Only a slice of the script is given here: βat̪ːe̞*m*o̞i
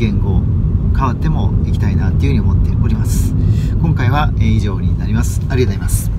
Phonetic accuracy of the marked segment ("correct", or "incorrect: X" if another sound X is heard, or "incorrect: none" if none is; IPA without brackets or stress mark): correct